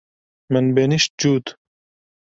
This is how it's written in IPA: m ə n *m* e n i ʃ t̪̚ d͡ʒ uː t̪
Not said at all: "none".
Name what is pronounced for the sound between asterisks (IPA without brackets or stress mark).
b